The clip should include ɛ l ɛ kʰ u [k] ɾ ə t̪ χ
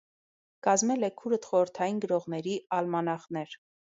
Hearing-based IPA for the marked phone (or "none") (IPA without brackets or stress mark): none